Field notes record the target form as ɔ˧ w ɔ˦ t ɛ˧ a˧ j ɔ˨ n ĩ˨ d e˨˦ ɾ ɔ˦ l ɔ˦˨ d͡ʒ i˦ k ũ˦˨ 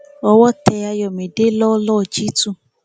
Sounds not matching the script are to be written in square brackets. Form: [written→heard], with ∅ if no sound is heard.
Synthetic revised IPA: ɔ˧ w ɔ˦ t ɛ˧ a˧ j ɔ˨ [n→m] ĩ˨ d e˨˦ [ɾ→l] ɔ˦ l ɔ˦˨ d͡ʒ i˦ [k→t] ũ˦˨